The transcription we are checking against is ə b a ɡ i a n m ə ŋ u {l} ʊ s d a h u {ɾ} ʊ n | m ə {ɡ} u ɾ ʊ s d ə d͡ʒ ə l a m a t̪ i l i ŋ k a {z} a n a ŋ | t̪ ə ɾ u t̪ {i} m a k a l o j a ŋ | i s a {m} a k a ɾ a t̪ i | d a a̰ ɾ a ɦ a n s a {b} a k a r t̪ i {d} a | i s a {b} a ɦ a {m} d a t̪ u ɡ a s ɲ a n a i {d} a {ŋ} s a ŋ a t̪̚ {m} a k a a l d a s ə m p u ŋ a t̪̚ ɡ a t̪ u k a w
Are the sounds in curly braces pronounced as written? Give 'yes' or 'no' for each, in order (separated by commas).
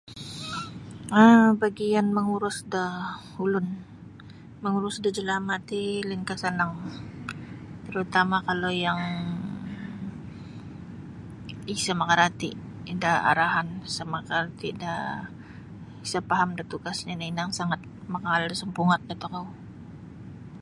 no, no, no, no, no, yes, no, yes, no, yes, no, yes, yes